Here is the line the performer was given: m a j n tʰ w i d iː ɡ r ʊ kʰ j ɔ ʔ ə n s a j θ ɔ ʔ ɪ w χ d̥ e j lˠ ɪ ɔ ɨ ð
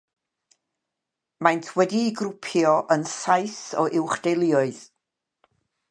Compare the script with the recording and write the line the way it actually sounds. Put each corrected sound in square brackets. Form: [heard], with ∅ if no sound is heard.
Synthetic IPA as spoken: m a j n tʰ w [ɛ] d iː ɡ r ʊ [pʰ] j ɔ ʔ ə n s a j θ ɔ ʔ ɪ w χ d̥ e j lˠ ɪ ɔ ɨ ð